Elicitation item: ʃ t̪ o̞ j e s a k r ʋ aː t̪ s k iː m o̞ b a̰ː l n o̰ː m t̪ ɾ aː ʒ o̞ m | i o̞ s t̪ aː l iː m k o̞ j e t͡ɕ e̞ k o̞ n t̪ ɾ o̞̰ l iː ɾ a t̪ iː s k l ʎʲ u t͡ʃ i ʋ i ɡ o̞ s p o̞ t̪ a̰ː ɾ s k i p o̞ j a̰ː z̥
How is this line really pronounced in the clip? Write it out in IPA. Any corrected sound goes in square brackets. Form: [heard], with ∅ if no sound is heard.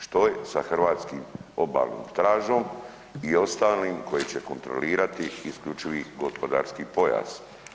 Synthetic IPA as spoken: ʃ t̪ o̞ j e s a [x] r ʋ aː t̪ s k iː m o̞ b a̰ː l n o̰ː m t̪ ɾ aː ʒ o̞ m | i o̞ s t̪ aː l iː m k o̞ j e t͡ɕ e̞ k o̞ n t̪ ɾ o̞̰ l iː ɾ a t̪ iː s k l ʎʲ u t͡ʃ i ʋ i ɡ o̞ s p o̞ [d̪] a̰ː ɾ s k i p o̞ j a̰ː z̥